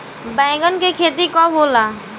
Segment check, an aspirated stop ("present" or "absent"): present